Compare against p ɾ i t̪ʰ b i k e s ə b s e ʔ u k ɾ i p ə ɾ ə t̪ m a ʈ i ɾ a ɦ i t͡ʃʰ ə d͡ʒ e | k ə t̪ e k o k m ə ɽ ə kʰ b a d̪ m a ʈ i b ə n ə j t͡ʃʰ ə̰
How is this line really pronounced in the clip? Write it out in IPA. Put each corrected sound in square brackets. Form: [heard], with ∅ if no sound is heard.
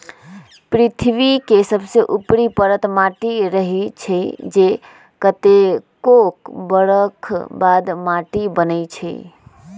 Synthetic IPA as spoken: p ɾ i t̪ʰ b i k e s ə b s e ʔ u [p] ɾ i p ə ɾ ə t̪ m a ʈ i ɾ [ə] ɦ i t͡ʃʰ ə d͡ʒ e | k ə t̪ e k o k [b] ə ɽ ə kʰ b a d̪ m a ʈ i b ə n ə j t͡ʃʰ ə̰